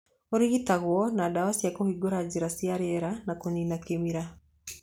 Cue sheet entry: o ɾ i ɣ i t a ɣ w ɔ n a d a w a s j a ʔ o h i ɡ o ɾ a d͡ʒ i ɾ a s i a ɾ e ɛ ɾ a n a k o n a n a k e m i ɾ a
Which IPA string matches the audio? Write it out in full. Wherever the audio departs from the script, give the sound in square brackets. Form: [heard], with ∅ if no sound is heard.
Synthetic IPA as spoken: o ɾ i ɣ i t a ɣ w ɔ n a d a w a s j a [k] o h i ɡ o ɾ a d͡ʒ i ɾ a s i a ɾ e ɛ ɾ a n a k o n [i] n a k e m i ɾ a